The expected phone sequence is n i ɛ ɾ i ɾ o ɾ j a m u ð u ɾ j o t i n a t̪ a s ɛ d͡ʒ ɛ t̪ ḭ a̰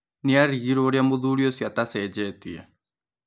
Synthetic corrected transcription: n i a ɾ i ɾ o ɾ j a m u ð u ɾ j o s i a t̪ a s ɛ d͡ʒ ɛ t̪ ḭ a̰